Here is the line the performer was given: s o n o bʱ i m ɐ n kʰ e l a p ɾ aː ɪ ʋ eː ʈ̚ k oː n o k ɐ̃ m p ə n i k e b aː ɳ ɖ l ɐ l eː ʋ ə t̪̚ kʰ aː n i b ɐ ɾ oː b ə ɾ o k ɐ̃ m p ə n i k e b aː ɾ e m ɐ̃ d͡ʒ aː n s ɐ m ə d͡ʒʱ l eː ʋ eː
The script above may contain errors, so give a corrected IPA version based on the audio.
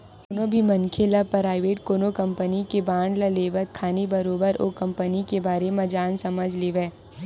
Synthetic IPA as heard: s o n o bʱ i m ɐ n kʰ e l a p ɾ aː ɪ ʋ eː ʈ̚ k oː n o k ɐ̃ m p ə n i k e b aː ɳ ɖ l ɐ l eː ʋ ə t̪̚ kʰ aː n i b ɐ ɾ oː b ə ɾ o k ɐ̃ m p ə n i k e b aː ɾ e m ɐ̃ d͡ʒ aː n s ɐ m ə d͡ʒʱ l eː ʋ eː